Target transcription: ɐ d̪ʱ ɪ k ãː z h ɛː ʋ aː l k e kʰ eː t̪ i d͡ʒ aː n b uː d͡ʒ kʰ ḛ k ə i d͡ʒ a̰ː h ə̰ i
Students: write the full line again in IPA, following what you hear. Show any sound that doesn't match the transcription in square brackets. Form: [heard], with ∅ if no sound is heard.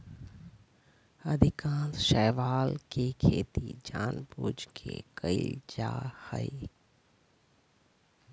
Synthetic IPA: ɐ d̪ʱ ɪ k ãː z [ʃ] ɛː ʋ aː l k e kʰ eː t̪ i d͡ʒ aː n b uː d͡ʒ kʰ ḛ k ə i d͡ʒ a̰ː h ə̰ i